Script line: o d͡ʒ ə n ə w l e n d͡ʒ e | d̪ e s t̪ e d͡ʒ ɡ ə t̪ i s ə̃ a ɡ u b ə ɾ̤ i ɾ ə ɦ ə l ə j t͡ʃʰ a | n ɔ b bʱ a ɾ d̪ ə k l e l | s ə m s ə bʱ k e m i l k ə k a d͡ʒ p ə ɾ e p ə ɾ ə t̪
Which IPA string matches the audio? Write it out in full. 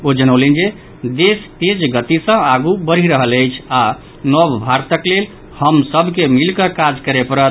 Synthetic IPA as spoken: o d͡ʒ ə n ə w l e n d͡ʒ e | d̪ e s t̪ e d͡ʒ ɡ ə t̪ i s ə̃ a ɡ u b ə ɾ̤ i ɾ ə ɦ ə l ə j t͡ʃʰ a | n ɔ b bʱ a ɾ t̪ ə k l e l | h ə m s ə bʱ k e m i l k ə k a d͡ʒ k ə ɾ e p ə ɾ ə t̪